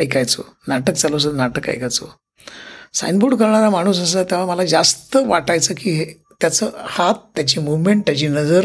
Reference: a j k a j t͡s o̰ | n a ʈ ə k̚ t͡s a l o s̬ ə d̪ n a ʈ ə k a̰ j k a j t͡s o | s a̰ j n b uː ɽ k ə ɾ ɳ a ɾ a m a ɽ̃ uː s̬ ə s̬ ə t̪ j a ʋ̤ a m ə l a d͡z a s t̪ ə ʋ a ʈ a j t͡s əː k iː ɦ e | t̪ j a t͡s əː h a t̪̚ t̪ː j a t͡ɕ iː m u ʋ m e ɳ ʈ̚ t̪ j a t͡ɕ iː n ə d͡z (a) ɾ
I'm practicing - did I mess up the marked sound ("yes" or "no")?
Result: yes